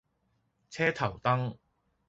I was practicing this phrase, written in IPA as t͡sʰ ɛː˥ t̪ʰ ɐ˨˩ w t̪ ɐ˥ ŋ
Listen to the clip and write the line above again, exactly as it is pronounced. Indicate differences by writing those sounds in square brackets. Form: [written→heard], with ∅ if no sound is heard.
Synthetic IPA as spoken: t͡sʰ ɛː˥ t̪ʰ ɐ˨˩ w t̪ ɐ˥ ŋ